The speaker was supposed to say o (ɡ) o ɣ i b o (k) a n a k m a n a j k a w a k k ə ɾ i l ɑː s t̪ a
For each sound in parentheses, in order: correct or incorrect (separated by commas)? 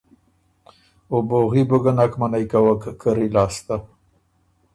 incorrect, incorrect